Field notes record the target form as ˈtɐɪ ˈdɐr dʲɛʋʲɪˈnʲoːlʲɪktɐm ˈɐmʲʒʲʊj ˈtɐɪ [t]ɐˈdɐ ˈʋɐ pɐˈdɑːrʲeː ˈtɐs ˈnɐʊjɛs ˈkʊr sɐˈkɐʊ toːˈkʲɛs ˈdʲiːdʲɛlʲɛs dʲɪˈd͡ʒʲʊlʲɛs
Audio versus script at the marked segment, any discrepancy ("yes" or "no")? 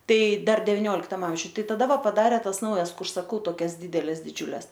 no